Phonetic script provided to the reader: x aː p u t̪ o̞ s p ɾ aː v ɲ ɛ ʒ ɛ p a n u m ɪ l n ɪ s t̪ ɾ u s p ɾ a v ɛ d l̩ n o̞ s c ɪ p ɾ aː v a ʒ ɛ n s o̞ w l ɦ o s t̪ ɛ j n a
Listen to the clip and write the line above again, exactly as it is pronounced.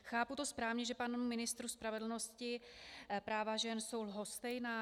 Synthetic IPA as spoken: x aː p u t̪ o̞ s p ɾ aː v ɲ ɛ ʒ ɛ p a n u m ɪ n ɪ s t̪ ɾ u s p ɾ a v ɛ d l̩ n o̞ s c ɪ p ɾ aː v a ʒ ɛ n s o̞ w l ɦ o s t̪ ɛ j n a